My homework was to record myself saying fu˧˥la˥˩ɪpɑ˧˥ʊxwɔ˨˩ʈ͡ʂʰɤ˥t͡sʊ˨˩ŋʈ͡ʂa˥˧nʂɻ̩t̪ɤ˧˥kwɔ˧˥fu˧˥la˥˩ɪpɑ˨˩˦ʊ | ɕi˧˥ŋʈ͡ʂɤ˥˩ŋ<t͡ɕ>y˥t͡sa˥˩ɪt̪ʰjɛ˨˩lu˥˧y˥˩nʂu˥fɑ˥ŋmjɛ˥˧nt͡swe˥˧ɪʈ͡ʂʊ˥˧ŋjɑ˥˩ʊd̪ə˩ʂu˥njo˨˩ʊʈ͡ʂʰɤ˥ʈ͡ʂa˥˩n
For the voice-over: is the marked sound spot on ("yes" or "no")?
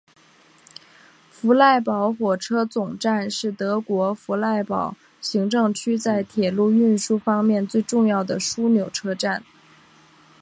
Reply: no